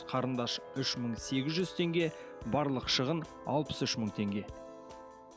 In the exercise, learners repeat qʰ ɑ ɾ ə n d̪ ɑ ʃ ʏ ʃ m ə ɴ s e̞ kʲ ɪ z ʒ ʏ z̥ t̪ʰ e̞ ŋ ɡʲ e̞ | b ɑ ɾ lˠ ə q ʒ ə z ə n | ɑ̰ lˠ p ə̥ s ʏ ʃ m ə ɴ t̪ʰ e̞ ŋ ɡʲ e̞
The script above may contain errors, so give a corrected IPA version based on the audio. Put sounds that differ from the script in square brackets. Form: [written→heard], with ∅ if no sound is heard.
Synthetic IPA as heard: qʰ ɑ ɾ ə n d̪ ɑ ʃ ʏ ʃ m ə ɴ s e̞ [kʲ→ɡʲ] ɪ z ʒ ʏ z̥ t̪ʰ e̞ ŋ ɡʲ e̞ | b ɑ ɾ lˠ ə q [ʒ→ʃ] ə [z→ʁ] ə n | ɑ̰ lˠ p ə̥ s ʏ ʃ m ə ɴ t̪ʰ e̞ ŋ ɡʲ e̞